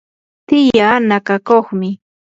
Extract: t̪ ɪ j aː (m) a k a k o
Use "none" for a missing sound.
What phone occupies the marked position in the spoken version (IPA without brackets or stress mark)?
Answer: n